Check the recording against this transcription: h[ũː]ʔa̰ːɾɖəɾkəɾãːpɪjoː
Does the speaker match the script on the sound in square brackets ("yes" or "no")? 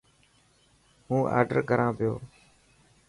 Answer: yes